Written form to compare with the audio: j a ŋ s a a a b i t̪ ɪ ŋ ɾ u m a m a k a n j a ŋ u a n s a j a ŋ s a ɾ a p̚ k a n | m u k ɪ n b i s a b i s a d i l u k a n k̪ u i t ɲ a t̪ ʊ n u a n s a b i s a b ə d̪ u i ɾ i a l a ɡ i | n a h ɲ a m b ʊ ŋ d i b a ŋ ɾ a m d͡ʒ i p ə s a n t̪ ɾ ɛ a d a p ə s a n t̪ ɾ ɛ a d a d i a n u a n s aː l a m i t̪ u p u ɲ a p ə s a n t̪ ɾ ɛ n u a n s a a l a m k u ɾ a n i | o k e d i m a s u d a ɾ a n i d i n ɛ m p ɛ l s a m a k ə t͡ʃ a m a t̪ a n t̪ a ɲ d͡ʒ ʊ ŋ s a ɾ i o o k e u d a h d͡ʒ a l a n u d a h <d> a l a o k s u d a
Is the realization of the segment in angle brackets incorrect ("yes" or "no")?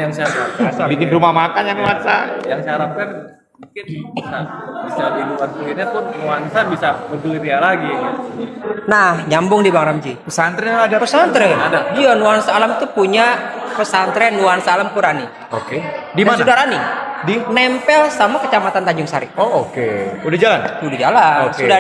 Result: yes